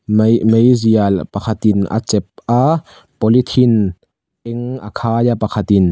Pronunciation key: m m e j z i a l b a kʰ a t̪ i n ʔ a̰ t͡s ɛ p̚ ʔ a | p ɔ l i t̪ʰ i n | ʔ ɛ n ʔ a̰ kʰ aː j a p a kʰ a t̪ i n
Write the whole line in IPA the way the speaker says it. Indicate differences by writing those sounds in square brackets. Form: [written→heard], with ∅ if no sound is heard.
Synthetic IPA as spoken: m m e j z i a l [b→p] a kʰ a t̪ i n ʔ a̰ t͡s ɛ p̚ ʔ a | p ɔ l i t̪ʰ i n | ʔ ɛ [n→ŋ] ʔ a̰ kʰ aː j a p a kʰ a t̪ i n